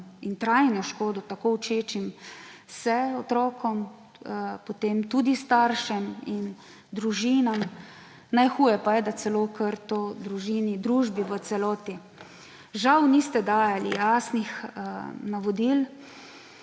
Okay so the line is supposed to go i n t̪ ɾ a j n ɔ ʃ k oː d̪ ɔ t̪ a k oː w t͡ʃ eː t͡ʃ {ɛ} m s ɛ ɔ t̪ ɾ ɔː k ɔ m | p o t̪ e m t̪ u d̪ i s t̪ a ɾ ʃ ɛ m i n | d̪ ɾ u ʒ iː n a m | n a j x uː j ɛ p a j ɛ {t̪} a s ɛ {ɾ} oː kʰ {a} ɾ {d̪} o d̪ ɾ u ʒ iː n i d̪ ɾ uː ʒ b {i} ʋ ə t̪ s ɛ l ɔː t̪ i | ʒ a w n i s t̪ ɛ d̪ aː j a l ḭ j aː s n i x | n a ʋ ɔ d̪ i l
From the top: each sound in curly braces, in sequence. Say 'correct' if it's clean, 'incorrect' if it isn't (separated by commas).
incorrect, incorrect, incorrect, incorrect, incorrect, correct